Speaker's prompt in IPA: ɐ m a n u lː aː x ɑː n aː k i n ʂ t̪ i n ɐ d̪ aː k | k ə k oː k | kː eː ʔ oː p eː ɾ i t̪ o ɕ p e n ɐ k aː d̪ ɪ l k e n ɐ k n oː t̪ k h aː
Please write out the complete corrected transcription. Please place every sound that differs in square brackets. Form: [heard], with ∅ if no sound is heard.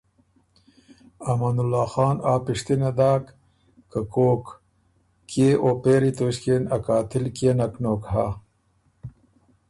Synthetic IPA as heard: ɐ m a n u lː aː x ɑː n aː [p] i [∅] ʂ t̪ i n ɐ d̪ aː k | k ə k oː k | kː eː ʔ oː p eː ɾ i t̪ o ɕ [k] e n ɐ k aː [t̪] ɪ l k e n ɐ k n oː [∅] k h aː